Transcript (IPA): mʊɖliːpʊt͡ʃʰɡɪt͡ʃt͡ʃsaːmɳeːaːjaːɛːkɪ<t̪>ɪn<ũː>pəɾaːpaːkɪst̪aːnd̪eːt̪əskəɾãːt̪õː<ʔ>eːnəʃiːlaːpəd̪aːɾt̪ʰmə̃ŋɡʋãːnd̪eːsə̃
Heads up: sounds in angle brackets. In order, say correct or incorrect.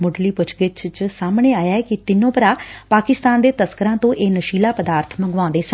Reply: correct, incorrect, correct

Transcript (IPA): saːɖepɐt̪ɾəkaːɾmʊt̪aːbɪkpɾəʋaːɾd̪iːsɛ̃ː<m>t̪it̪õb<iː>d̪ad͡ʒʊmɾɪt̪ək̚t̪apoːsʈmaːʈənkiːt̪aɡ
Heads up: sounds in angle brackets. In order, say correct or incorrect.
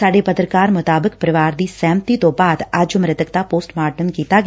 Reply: correct, incorrect

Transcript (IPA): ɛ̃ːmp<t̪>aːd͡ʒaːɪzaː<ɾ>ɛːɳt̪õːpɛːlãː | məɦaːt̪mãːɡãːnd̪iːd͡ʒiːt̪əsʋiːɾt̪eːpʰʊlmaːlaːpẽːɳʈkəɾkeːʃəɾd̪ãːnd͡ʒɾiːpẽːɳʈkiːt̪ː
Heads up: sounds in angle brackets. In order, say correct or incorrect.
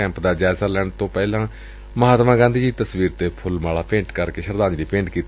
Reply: incorrect, incorrect

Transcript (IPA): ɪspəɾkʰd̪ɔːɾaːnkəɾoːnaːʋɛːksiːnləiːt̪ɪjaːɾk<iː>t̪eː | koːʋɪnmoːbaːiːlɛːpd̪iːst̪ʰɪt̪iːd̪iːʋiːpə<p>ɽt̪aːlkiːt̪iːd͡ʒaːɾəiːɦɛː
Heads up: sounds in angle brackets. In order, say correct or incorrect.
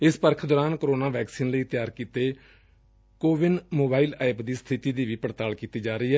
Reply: correct, incorrect

